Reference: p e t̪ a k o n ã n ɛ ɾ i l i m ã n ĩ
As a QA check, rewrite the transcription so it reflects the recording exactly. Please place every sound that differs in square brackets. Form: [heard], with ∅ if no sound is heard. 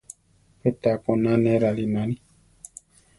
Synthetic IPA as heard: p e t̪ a k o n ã n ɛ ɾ [a] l i [n] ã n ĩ